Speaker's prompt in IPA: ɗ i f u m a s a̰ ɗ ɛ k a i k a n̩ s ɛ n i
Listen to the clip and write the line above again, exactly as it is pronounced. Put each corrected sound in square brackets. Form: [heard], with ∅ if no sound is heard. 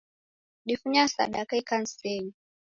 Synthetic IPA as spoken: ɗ i f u [ɲ] a s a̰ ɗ [a] k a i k a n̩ s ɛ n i